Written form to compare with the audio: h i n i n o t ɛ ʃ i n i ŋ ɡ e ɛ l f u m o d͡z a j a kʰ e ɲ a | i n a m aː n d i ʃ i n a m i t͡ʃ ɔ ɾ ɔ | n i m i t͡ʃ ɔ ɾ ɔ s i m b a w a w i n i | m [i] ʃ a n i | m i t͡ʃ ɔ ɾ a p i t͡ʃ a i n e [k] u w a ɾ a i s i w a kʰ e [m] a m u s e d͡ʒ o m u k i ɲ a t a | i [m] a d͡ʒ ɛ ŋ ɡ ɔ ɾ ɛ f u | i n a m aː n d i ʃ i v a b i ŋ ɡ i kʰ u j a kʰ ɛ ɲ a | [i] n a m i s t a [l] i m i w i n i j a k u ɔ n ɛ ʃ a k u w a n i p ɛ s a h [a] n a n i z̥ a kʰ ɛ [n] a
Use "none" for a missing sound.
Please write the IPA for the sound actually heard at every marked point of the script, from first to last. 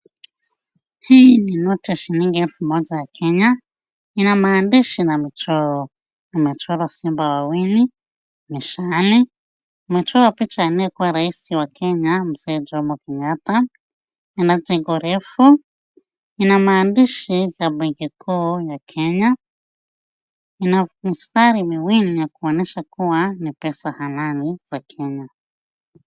i, k, ɲ, n, i, ɾ, a, ɲ

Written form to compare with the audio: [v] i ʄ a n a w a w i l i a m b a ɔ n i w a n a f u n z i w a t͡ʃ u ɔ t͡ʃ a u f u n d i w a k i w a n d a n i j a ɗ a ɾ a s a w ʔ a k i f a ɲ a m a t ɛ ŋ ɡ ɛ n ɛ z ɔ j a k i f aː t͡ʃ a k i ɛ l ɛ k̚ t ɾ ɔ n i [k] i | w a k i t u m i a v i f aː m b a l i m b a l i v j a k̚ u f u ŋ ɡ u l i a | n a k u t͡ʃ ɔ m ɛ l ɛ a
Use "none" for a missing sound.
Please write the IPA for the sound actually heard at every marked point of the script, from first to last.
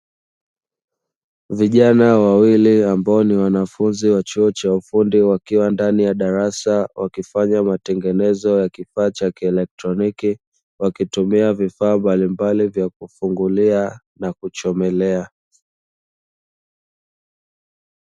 v, k

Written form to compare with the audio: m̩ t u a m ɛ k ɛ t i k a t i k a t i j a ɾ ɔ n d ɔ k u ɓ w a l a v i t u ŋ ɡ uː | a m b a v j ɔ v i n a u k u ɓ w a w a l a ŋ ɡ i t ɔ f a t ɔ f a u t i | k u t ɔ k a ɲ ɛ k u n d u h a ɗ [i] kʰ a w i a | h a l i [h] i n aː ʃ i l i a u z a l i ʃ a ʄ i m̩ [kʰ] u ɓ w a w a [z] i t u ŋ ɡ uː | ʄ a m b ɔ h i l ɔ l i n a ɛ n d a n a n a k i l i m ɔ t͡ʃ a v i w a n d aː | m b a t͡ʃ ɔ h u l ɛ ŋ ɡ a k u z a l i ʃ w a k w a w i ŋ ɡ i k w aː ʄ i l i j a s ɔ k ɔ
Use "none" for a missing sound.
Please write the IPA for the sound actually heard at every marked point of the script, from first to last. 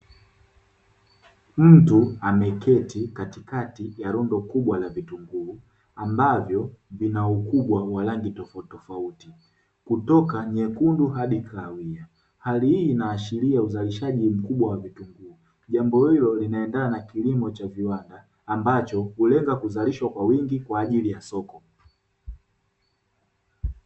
i, h, k, v

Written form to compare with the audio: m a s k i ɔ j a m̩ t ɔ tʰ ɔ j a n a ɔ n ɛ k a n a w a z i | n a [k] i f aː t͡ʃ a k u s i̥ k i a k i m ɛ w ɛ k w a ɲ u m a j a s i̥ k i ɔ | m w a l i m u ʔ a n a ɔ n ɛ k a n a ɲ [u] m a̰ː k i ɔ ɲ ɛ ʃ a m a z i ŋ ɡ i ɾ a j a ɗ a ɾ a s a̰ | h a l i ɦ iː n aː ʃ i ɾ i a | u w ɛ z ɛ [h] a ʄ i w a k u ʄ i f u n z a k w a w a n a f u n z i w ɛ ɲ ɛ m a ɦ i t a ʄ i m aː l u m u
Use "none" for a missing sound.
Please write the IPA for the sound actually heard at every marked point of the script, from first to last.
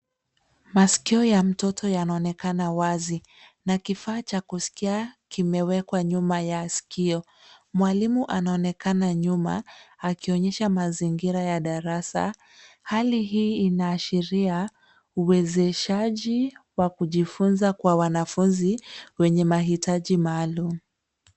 k, u, ʃ

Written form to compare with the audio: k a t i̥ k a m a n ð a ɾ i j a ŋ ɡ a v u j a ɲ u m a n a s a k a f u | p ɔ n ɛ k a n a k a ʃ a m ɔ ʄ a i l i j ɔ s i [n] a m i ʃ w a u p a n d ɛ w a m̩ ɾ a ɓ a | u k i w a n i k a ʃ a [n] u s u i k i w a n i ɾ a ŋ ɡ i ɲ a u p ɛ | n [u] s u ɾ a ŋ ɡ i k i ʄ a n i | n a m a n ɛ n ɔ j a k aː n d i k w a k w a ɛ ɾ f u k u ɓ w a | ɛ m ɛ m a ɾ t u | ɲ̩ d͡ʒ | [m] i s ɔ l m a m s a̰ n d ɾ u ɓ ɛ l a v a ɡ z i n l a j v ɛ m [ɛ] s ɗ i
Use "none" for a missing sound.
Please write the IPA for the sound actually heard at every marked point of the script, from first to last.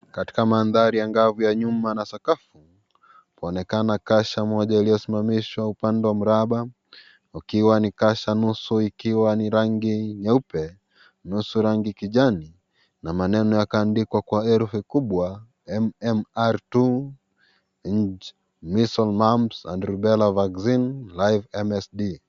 m, n, u, m, ɛ

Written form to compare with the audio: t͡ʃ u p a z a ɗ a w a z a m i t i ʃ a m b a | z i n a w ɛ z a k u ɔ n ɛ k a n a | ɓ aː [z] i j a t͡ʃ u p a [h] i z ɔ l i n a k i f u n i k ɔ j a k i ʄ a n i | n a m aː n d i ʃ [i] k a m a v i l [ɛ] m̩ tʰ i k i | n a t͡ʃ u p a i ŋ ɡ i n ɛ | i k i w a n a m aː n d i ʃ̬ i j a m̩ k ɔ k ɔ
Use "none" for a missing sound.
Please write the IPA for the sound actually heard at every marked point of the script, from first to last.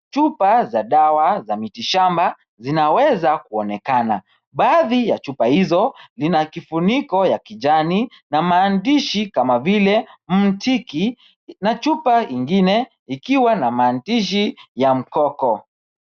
ð, h, i, ɛ

